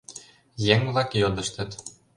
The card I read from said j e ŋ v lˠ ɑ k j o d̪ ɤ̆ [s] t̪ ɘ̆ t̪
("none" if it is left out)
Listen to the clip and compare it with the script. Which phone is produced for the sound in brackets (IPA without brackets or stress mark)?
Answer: ʃ